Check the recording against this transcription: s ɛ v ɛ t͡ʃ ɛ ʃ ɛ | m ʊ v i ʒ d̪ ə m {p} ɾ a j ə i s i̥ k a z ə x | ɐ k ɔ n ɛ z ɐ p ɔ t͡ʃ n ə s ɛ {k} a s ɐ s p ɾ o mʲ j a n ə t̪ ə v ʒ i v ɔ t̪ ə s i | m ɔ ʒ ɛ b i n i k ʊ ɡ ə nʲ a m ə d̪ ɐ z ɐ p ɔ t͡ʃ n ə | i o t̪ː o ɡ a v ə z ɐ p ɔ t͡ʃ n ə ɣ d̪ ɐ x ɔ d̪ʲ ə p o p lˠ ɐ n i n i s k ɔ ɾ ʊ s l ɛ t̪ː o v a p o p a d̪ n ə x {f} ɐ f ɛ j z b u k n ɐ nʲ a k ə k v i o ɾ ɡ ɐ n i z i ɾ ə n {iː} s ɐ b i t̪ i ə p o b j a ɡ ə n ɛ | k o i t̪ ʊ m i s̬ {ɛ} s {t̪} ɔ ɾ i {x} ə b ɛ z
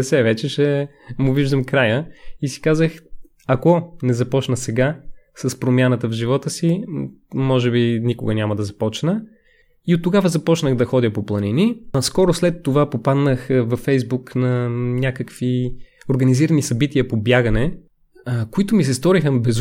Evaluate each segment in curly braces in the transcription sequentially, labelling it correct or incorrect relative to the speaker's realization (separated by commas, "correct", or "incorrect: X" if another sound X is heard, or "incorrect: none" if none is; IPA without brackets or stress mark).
incorrect: k, incorrect: ɡ, incorrect: v, incorrect: i, correct, correct, correct